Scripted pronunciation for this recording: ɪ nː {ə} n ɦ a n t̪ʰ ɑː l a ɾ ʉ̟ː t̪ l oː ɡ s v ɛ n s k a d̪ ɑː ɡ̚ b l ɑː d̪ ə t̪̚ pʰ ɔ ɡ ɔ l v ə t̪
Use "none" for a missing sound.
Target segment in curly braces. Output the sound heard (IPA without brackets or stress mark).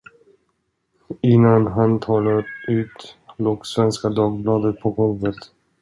a